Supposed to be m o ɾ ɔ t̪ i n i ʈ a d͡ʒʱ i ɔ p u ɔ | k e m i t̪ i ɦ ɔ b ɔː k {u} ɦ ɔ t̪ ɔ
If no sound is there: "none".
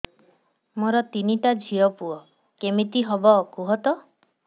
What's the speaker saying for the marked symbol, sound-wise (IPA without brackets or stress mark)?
u